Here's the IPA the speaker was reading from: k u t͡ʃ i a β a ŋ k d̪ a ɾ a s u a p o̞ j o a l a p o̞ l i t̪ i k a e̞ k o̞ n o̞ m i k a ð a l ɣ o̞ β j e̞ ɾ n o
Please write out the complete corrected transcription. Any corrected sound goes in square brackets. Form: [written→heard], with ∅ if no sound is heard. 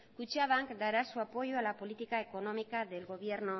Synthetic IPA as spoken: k u t͡ʃ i a β a ŋ k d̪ a ɾ a s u a p o̞ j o a l a p o̞ l i t̪ i k a e̞ k o̞ n o̞ m i k a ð [a→e] l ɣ o̞ β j e̞ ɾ n o